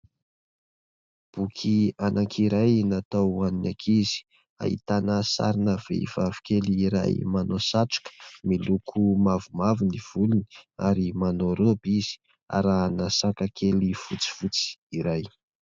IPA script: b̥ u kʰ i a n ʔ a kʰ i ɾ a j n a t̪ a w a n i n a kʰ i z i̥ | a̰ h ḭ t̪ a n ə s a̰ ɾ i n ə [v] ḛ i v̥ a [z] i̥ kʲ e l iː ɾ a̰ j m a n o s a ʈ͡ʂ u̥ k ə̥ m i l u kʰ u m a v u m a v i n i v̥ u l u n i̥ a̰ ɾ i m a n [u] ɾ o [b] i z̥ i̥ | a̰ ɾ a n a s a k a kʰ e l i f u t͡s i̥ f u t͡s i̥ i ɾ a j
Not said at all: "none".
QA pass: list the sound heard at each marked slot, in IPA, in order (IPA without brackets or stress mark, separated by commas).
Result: v, v, o, b